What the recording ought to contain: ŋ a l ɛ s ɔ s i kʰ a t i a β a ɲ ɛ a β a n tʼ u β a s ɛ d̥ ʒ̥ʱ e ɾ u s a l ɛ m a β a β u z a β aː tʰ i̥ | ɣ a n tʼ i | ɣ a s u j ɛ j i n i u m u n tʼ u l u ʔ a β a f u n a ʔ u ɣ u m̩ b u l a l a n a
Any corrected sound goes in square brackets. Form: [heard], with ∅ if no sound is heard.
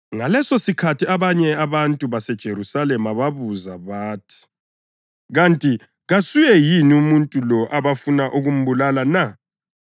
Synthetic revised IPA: ŋ a l ɛ s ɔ s i kʰ a t i a β a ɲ ɛ a β a n tʼ u β a s ɛ d̥ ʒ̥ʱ e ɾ u s a l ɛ m a β a β u z a β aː tʰ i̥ | ɣ a n tʼ i | ɣ a s u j ɛ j i n i u m u n tʼ u l [ɔ] ʔ a β a f u n a ʔ u ɣ u m̩ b u l a l a n a